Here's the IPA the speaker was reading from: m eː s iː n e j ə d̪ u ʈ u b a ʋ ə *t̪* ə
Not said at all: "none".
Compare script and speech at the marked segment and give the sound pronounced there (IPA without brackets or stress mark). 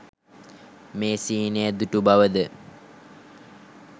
d̪